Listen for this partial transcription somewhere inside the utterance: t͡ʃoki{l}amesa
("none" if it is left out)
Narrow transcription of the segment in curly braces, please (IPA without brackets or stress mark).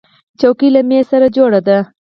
l